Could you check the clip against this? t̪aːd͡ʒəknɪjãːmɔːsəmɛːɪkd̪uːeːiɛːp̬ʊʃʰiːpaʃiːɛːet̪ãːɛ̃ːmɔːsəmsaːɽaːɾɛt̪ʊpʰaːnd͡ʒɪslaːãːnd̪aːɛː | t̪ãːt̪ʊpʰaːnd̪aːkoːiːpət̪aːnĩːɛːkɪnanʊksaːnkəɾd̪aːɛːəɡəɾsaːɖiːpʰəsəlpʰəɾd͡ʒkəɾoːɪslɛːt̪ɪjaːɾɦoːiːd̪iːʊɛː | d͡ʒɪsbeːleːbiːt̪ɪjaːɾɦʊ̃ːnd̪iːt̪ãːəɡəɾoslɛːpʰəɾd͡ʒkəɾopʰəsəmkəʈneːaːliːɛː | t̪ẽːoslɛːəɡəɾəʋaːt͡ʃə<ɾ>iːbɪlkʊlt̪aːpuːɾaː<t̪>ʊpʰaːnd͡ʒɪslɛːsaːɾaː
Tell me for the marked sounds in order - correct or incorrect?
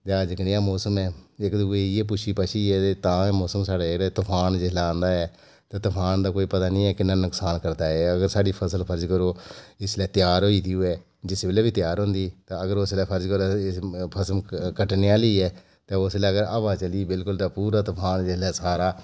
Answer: incorrect, correct

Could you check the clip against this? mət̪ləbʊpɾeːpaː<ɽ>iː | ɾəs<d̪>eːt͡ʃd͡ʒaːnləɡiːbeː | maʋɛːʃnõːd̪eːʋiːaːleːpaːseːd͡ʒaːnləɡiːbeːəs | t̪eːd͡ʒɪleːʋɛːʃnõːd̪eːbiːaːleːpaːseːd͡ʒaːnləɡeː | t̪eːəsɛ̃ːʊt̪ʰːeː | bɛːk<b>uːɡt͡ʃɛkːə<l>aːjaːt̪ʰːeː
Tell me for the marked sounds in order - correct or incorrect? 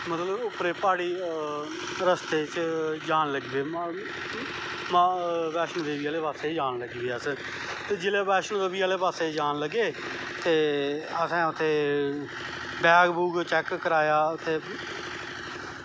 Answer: correct, incorrect, correct, incorrect

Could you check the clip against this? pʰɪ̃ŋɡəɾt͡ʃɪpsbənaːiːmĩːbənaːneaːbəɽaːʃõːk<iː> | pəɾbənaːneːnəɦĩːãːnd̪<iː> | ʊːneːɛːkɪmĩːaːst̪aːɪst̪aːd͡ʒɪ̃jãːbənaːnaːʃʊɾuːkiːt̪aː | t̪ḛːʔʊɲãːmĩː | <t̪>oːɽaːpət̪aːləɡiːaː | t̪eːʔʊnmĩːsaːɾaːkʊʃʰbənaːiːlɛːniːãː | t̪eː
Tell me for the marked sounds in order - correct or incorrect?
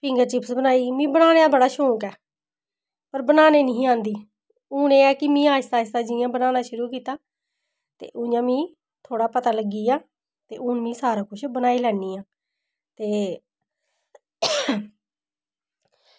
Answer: incorrect, correct, incorrect

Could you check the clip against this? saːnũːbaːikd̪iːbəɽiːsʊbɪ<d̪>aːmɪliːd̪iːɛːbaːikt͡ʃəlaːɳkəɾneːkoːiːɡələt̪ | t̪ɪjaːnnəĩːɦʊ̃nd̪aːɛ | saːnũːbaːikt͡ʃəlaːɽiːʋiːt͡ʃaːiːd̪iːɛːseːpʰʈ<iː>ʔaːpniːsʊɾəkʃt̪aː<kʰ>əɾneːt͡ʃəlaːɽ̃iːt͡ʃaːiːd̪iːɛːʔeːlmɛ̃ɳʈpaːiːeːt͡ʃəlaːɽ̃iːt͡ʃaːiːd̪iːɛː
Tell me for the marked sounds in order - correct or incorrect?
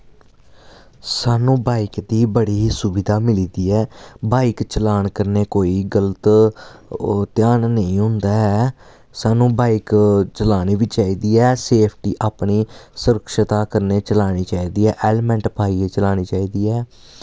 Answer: correct, correct, incorrect

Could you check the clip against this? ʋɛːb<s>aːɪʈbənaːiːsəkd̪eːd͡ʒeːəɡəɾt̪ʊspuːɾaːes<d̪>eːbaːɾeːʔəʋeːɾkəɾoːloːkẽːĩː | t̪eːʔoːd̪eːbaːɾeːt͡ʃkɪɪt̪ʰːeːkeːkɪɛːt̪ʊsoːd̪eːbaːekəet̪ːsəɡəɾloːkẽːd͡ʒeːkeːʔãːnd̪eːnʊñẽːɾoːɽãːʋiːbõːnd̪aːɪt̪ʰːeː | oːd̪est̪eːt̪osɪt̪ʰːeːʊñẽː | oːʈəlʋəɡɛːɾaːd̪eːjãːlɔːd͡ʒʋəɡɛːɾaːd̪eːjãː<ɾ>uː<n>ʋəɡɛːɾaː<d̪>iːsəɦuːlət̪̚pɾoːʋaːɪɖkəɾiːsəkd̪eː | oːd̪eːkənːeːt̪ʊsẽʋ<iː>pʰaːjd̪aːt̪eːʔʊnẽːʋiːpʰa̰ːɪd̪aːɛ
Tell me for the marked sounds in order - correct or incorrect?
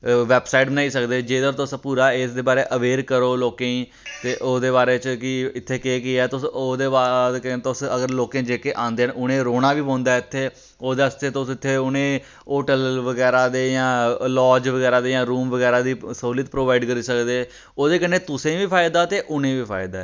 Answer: correct, correct, correct, incorrect, correct, correct

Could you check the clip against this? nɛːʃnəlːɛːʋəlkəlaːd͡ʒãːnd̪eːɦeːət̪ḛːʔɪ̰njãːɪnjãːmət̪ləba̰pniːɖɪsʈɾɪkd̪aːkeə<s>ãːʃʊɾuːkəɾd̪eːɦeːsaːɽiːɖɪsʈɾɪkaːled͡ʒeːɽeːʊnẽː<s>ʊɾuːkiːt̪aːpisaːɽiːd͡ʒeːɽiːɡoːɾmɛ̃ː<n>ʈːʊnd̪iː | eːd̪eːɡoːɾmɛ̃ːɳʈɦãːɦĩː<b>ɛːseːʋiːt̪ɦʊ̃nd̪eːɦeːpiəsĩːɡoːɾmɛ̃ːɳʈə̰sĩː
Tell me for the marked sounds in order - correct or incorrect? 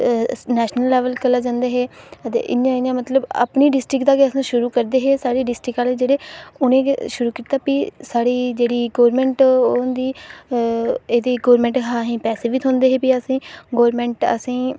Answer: correct, incorrect, incorrect, incorrect

